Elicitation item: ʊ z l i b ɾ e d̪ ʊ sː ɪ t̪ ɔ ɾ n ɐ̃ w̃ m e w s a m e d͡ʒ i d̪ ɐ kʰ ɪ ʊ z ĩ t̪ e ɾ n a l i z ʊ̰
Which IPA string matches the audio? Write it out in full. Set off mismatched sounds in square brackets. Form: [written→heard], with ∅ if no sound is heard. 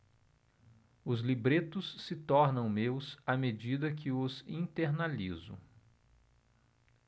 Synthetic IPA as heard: ʊ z l i b ɾ e [d̪→t̪] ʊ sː ɪ t̪ ɔ ɾ n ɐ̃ w̃ m e w s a m e d͡ʒ i d̪ ɐ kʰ ɪ ʊ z ĩ t̪ e ɾ n a l i z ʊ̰